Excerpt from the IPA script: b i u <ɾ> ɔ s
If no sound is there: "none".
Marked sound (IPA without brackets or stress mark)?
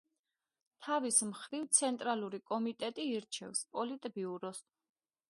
ɾ